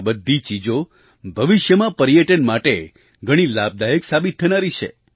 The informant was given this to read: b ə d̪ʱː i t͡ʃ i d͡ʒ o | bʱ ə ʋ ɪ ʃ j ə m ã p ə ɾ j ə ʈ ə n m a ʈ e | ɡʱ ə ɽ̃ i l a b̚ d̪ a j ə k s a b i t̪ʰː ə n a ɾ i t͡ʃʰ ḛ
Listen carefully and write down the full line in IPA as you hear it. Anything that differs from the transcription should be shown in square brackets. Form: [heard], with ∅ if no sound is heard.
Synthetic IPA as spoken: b ə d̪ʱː i t͡ʃ i d͡ʒ o | bʱ ə ʋ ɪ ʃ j ə m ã p ə ɾ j ə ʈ ə n m a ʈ e | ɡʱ ə ɽ̃ i l a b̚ d̪ a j ə k s a b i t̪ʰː ə n a ɾ i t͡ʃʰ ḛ